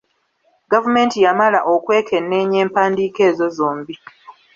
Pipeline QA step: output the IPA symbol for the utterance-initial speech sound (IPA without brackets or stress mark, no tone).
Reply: ɡ